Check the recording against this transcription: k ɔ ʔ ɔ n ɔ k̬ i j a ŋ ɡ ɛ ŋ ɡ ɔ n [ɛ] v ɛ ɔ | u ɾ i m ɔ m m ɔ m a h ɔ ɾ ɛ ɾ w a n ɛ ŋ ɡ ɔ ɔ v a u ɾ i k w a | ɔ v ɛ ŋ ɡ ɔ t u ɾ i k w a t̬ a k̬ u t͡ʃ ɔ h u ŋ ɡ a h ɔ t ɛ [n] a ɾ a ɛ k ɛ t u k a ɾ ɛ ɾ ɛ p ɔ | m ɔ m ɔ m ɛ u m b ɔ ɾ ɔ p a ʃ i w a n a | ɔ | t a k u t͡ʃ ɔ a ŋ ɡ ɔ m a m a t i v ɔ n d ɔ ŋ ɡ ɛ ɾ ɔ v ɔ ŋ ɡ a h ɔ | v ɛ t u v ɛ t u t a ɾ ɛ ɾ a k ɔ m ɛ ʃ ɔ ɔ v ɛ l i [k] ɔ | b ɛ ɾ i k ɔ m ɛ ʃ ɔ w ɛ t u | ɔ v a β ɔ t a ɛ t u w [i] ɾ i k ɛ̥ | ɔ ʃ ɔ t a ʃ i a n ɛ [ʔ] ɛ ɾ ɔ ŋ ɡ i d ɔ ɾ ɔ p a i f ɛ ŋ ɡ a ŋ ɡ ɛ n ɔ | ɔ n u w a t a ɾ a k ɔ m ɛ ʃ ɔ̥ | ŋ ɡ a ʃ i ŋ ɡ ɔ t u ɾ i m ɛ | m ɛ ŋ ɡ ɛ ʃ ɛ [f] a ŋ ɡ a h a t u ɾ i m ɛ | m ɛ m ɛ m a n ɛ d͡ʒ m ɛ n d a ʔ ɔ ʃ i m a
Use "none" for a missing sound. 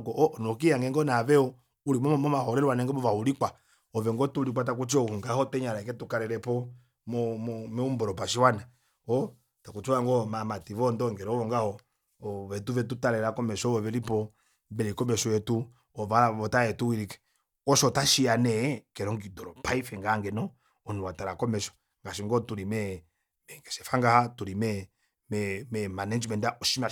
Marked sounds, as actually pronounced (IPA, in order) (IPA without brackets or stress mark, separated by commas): a, ɲ, p, i, k, f